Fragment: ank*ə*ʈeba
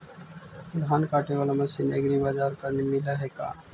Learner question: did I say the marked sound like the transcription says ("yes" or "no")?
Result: no